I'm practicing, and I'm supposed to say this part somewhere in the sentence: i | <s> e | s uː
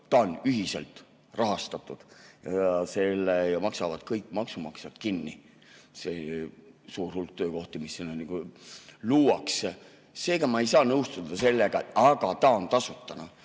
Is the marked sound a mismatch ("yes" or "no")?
no